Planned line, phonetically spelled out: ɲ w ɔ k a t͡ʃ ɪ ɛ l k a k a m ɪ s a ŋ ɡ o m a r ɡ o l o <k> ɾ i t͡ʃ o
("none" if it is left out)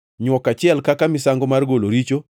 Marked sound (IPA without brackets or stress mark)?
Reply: none